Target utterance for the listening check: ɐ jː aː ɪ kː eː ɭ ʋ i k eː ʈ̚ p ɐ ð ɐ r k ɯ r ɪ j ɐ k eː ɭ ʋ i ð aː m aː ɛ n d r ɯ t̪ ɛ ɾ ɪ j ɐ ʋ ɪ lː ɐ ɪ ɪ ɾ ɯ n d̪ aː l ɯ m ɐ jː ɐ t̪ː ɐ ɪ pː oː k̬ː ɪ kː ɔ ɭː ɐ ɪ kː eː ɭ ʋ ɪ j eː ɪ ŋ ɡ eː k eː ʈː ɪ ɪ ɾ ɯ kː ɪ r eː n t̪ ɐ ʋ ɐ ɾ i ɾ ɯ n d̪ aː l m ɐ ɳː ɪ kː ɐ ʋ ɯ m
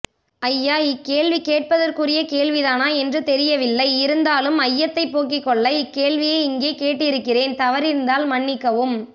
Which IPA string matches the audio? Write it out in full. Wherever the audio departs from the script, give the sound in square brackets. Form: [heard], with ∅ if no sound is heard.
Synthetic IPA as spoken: ɐ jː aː ɪ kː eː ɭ ʋ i k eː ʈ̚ p ɐ ð ɐ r k ɯ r ɪ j ɐ k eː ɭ ʋ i ð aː [n] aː ɛ n d r ɯ t̪ ɛ ɾ ɪ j ɐ ʋ ɪ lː ɐ ɪ ɪ ɾ ɯ n d̪ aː l ɯ m ɐ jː ɐ t̪ː ɐ ɪ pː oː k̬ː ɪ kː ɔ ɭː ɐ ɪ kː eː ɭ ʋ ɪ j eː ɪ ŋ ɡ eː k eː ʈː ɪ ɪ ɾ ɯ kː ɪ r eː n t̪ ɐ ʋ ɐ ɾ [ɪ] ɾ ɯ n d̪ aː l m ɐ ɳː ɪ kː ɐ ʋ ɯ m